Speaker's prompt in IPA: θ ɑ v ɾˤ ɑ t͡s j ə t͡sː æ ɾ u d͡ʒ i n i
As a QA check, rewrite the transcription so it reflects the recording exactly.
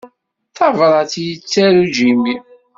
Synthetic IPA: θ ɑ v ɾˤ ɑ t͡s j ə t͡sː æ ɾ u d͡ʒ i m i